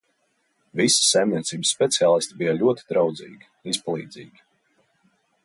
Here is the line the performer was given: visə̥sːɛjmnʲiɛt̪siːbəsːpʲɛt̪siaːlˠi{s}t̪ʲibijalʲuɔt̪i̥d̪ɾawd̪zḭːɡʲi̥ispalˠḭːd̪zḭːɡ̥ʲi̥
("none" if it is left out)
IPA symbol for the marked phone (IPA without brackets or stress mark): s